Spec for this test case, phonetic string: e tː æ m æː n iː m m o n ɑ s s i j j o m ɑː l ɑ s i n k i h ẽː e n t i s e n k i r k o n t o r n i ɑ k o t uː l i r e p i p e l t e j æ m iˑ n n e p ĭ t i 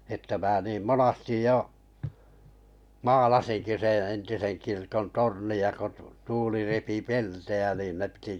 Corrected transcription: e tː æ m æː n iː m m o n ɑ s t i j j o m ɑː l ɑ s i n k i s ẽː e n t i s e n k i r k o n t o r n i ɑ k o t uː l i r e p i p e l t e j æ n iˑ n n e p ĭ t i